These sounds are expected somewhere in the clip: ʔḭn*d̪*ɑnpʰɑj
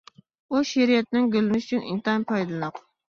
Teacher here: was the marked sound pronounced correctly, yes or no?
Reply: no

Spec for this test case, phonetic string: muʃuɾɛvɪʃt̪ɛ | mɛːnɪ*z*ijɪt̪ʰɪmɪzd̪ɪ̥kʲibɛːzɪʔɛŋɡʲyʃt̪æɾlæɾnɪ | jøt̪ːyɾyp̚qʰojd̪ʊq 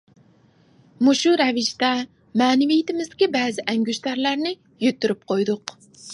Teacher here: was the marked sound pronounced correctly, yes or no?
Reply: no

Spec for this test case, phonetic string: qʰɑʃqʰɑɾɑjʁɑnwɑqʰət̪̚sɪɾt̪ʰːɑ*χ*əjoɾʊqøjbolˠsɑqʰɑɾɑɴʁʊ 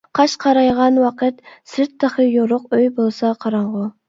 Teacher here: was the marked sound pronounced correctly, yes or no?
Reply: yes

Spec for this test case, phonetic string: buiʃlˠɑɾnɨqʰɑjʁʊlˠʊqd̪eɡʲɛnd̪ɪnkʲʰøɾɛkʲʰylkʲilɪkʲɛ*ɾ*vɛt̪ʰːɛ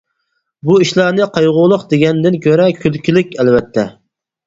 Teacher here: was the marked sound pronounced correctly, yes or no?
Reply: no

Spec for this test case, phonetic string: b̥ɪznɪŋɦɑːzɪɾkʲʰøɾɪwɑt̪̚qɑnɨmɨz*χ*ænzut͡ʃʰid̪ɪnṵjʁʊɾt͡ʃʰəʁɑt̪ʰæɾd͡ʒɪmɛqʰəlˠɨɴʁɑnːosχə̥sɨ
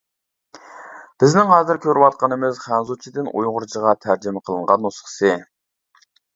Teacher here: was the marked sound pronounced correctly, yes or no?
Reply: yes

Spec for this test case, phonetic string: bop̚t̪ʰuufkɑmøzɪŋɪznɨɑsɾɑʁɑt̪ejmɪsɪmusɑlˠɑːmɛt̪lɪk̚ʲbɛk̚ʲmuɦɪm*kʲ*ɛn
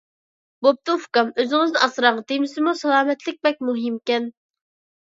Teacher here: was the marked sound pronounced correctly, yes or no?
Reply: yes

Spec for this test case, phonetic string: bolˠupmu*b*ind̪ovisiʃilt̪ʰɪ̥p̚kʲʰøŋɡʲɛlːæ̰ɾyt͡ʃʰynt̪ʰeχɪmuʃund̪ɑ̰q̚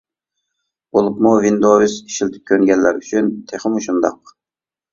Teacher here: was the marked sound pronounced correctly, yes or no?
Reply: no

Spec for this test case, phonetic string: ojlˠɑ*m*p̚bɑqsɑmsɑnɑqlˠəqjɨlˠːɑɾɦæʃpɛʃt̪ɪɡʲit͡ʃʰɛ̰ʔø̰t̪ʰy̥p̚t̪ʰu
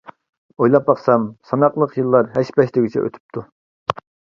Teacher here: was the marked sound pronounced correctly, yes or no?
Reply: no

